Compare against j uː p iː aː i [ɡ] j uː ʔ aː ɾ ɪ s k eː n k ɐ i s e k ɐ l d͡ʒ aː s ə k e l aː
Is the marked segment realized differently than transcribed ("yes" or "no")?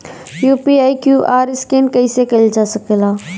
yes